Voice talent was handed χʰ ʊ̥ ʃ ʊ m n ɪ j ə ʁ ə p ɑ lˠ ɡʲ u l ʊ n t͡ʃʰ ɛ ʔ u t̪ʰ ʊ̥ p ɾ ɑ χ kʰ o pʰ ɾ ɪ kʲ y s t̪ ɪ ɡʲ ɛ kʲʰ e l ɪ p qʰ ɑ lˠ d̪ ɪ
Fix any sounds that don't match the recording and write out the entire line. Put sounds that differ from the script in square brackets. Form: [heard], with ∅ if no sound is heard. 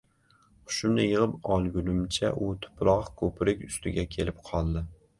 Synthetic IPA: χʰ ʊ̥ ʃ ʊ m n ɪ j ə ʁ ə p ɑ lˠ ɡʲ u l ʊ [m] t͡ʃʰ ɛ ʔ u t̪ʰ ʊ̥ p ɾ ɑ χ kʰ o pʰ ɾ ɪ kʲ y s t̪ ɪ ɡʲ ɛ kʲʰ e l ɪ p qʰ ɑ lˠ d̪ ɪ